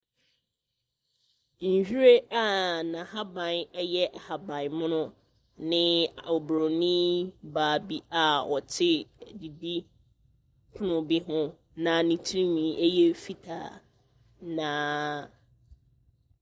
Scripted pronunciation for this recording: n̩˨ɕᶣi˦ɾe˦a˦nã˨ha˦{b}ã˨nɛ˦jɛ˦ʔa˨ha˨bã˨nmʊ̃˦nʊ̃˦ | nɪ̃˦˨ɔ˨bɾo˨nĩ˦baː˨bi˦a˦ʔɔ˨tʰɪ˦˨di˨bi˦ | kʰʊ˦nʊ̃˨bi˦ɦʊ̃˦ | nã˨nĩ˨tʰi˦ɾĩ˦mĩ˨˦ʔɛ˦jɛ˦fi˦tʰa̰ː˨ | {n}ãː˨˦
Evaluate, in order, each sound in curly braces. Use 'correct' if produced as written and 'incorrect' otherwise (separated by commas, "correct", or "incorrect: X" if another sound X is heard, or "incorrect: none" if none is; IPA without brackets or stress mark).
correct, correct